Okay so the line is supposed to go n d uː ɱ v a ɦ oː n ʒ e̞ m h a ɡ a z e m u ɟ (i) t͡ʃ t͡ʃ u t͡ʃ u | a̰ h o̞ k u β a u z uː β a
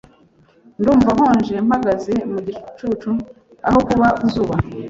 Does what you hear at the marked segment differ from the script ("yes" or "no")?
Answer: no